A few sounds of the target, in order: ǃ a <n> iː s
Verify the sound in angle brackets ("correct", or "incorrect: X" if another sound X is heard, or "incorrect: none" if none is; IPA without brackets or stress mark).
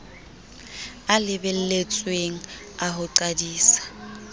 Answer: incorrect: d